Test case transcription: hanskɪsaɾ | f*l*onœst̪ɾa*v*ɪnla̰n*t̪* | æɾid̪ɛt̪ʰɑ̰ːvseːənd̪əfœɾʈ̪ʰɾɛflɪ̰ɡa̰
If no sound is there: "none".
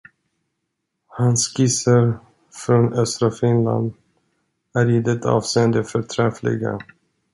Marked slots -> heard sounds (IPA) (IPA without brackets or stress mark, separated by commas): ɾ, f, d̪